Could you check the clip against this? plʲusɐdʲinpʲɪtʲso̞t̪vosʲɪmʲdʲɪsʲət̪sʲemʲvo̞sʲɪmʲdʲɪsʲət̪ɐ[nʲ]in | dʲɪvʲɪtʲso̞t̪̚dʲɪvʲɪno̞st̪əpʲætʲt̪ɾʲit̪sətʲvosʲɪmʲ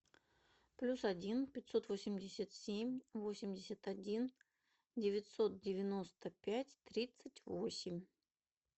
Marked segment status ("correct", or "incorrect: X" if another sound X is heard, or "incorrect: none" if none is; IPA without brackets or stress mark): incorrect: dʲ